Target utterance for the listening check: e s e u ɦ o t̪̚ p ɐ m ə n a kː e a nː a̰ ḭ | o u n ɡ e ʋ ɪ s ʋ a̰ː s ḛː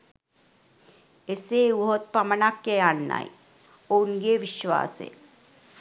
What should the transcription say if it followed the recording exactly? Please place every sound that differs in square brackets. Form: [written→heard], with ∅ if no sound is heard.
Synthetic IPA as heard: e s e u ɦ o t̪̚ p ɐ m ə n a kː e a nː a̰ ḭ | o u n ɡ e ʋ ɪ [s→ʃ] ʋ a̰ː s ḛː